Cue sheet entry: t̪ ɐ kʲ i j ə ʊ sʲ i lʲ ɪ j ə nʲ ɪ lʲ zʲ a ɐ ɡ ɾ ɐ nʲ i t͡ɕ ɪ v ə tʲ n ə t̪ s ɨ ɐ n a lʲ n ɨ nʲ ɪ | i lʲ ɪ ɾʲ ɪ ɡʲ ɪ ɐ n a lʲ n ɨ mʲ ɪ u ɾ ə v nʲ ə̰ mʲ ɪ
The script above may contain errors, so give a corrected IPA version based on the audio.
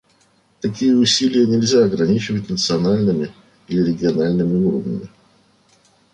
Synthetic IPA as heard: t̪ ɐ kʲ i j ə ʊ sʲ i lʲ ɪ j ə nʲ ɪ lʲ zʲ a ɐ ɡ ɾ ɐ nʲ i t͡ɕ ɪ v ə tʲ n ə t̪ s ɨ ɐ n a lʲ n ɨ mʲ ɪ | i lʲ ɪ ɾʲ ɪ ɡʲ ɪ ɐ n a lʲ n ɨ mʲ ɪ u ɾ ə v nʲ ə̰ mʲ ɪ